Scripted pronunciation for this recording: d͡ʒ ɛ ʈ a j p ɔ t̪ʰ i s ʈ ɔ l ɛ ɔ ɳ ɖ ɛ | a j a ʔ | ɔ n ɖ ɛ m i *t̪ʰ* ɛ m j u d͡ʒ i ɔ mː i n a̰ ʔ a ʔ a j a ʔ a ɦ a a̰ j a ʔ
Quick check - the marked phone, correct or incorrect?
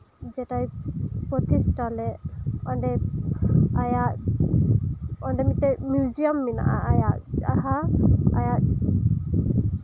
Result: incorrect